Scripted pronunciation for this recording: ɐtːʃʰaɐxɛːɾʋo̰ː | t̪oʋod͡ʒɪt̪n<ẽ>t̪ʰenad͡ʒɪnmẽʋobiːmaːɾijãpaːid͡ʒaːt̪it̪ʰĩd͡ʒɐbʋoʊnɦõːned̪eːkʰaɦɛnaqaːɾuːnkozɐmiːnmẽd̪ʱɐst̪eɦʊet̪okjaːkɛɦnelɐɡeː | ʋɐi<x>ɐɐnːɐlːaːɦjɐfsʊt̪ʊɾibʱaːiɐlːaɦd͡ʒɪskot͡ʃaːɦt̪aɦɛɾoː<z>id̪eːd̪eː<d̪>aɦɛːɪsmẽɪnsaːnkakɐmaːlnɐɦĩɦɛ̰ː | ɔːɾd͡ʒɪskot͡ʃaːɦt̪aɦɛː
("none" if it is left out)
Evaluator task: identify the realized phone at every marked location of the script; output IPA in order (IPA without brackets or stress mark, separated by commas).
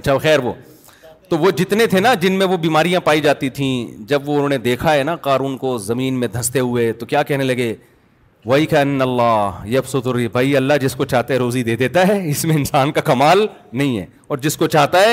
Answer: e, k, z, t̪